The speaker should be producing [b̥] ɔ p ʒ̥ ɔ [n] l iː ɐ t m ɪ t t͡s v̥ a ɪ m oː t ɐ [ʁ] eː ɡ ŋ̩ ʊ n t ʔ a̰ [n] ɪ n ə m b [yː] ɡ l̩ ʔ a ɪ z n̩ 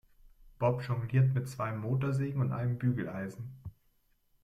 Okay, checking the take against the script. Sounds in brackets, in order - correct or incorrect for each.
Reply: correct, incorrect: ŋ, incorrect: z, incorrect: none, correct

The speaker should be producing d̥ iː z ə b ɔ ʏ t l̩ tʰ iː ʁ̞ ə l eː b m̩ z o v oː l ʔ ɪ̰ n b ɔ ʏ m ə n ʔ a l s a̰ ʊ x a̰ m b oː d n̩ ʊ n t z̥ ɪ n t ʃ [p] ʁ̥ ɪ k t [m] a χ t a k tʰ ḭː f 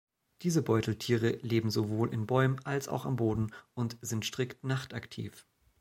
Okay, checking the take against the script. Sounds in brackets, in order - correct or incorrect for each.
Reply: incorrect: t, incorrect: n

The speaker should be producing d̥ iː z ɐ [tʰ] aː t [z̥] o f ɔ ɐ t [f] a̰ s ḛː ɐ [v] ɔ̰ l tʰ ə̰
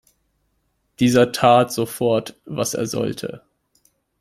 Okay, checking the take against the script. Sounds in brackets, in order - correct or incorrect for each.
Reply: correct, correct, incorrect: v, incorrect: z

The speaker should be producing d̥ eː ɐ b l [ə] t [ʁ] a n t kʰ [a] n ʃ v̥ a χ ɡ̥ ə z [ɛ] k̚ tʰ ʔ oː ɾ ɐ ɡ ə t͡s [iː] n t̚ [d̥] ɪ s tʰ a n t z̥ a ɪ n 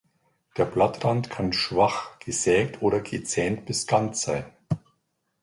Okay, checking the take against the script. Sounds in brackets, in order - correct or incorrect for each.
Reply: incorrect: a, correct, correct, incorrect: ɛː, incorrect: ɛː, incorrect: b̥

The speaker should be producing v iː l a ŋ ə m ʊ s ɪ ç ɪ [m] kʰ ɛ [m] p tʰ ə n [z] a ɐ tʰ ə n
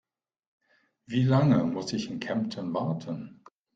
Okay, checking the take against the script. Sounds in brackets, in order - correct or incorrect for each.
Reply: incorrect: n, correct, incorrect: v

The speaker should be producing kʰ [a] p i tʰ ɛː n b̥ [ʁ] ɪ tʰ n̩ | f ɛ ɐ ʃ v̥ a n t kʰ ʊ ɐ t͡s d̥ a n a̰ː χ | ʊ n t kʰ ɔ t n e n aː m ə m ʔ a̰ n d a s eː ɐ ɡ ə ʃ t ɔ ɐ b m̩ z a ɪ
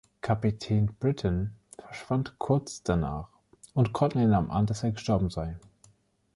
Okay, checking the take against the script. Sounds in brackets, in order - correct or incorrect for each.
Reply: correct, correct

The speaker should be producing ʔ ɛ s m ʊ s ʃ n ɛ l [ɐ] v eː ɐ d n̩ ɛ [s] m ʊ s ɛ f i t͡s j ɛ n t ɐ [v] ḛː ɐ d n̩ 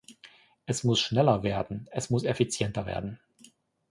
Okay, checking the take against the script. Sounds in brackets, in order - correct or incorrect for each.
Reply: correct, correct, correct

